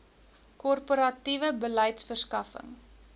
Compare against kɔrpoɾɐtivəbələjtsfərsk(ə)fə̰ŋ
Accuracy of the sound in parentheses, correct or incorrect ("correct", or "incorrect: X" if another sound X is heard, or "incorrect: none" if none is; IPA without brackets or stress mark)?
incorrect: ɐ